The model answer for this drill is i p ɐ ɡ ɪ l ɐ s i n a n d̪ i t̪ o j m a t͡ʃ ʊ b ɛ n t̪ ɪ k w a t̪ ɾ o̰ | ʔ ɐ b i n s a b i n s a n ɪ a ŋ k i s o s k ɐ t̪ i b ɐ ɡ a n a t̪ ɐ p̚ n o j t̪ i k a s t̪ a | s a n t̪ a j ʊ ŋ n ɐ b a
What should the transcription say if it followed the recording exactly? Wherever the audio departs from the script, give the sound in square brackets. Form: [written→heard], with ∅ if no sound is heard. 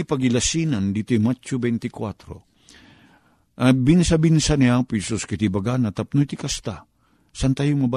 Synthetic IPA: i p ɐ ɡ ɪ l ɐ s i n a n d̪ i t̪ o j m a t͡ʃ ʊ b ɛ n t̪ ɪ k w a t̪ ɾ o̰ | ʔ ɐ b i n s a b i n s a n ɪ a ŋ [k→p] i s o s k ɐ t̪ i b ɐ ɡ a n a t̪ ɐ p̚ n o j t̪ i k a s t̪ a | s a n t̪ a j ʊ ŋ [n→m] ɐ b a